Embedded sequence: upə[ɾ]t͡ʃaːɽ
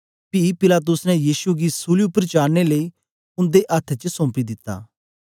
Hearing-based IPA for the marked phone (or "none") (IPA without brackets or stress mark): ɾ